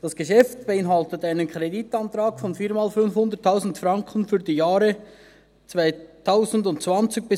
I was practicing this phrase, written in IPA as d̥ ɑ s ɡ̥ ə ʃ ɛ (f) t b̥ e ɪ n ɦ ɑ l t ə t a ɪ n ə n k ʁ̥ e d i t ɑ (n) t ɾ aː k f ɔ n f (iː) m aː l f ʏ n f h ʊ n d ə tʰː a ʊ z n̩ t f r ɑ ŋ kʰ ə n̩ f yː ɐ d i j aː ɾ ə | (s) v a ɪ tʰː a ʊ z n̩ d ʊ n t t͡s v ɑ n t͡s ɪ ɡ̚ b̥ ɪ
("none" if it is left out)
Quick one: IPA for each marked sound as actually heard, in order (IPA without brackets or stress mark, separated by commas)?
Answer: f, n, iː, t͡s